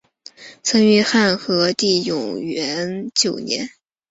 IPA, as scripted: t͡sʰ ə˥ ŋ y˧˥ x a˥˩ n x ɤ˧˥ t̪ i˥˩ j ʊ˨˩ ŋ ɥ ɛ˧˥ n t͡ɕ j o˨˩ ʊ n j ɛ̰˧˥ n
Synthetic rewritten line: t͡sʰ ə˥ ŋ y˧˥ x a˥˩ n x ɤ˧˥ t̪ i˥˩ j ʊ˨˩ ŋ ɥ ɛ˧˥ n t͡ɕ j o˨˩ ʊ n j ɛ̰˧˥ n